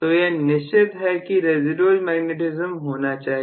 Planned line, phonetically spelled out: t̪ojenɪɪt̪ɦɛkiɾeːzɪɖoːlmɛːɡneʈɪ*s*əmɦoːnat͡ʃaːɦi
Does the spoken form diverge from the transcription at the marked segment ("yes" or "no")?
yes